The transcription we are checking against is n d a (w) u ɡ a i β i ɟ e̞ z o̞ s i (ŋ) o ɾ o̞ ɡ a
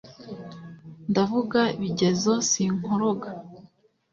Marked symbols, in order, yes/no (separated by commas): no, yes